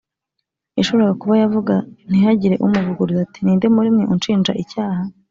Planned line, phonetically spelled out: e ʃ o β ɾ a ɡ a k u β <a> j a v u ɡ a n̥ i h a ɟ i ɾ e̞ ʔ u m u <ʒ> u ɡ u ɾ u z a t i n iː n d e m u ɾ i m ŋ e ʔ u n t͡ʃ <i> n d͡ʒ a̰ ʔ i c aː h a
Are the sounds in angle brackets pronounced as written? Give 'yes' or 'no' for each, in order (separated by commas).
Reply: yes, no, no